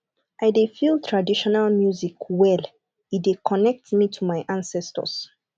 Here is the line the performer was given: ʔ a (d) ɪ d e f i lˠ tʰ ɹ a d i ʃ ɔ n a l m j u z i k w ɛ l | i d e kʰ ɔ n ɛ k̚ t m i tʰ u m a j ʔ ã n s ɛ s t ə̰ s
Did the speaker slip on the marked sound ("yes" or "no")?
yes